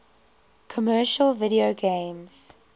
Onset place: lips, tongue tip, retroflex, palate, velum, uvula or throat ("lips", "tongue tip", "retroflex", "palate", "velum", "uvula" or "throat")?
velum